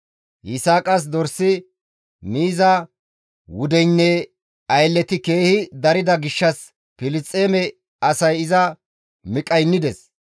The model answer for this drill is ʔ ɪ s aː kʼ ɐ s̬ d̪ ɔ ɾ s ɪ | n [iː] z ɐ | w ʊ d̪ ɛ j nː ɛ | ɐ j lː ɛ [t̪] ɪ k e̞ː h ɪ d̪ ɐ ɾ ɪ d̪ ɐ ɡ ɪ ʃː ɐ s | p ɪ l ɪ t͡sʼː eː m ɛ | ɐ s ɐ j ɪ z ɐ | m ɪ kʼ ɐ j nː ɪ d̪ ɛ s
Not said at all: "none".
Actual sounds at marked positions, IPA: iː, t̪

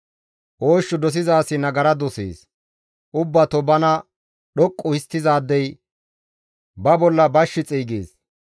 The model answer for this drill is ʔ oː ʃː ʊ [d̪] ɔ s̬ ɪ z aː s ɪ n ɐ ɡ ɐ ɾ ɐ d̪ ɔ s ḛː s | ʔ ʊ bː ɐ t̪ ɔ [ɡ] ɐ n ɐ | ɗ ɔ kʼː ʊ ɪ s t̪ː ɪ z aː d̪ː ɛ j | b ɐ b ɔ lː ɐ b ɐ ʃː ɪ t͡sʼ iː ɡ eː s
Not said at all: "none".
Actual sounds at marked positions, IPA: d̪, b

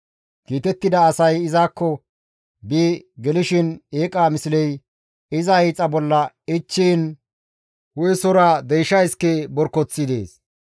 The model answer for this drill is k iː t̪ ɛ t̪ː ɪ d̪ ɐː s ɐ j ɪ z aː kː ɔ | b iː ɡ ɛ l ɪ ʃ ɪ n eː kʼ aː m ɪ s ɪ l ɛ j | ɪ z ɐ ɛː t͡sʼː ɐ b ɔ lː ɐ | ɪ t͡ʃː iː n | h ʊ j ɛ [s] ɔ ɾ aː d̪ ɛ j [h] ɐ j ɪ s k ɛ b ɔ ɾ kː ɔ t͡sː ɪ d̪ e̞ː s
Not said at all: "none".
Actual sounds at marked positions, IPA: s, ʃ

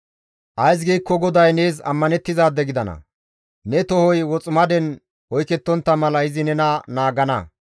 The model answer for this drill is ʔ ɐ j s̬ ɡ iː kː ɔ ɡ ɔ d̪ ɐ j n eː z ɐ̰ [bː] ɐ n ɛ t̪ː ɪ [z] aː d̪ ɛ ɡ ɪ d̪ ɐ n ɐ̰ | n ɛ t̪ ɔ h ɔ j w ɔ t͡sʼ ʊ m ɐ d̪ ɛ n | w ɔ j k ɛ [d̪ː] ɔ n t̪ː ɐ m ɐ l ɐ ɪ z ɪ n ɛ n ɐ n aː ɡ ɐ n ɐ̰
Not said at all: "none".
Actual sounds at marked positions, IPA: mː, z, t̪ː

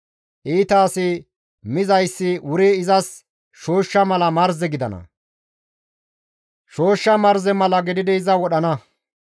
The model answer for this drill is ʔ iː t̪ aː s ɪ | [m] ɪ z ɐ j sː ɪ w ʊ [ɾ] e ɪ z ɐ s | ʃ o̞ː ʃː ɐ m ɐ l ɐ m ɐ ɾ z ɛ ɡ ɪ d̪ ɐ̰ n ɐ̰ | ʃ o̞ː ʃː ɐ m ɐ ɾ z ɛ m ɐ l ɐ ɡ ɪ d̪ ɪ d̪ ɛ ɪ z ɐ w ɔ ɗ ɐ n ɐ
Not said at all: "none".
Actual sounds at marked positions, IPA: m, ɾ

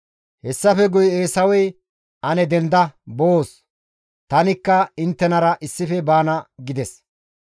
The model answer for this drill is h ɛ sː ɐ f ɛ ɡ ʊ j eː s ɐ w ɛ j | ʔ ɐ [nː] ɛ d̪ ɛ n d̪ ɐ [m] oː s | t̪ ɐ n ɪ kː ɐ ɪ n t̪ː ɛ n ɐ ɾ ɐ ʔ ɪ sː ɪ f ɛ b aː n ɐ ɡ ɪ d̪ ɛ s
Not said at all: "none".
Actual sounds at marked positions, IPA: n, b

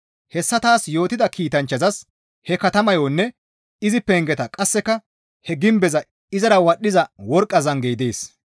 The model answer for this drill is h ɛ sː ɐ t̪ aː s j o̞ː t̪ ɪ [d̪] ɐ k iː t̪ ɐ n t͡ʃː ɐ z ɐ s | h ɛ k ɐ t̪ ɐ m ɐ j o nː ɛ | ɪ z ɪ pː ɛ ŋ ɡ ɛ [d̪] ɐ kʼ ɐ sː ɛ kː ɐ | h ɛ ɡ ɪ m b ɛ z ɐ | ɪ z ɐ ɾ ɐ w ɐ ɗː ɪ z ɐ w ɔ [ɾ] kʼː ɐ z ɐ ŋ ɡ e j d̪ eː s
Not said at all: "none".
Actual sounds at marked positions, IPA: d̪, t̪, ɾ

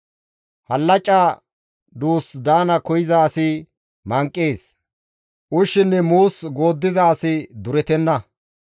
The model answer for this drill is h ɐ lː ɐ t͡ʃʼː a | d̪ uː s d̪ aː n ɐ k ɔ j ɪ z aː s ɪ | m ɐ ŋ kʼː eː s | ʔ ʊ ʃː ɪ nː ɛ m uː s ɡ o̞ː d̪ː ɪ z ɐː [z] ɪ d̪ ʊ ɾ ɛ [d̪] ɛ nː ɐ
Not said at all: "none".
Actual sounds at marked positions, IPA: s, t̪

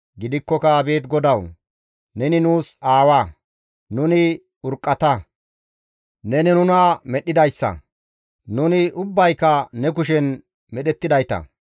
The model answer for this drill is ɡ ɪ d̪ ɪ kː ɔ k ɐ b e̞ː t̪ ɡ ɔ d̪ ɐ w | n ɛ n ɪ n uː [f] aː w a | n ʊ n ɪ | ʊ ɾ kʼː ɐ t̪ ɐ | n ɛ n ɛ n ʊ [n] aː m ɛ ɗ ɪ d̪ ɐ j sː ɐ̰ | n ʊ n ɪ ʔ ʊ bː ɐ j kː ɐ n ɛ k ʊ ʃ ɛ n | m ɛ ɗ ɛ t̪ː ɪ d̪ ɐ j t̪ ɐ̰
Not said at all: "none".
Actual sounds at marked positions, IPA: s, n

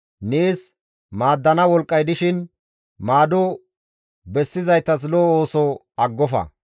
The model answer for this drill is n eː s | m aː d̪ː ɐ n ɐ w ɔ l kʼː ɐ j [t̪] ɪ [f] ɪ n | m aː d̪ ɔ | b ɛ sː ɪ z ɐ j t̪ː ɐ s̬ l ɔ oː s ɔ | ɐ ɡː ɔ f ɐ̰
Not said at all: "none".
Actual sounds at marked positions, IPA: d̪, ʃ

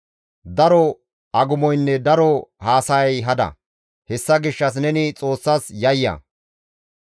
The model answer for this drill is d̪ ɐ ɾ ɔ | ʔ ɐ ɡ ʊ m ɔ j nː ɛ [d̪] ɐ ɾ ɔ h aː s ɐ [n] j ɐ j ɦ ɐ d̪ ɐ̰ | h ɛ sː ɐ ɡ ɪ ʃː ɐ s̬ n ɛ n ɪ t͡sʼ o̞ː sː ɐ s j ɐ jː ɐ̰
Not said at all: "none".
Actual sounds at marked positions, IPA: d̪, none

